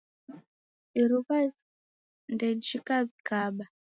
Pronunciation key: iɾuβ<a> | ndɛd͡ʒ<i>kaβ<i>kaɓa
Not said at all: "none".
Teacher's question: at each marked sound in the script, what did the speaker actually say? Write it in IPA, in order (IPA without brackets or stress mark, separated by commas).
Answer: a, i, i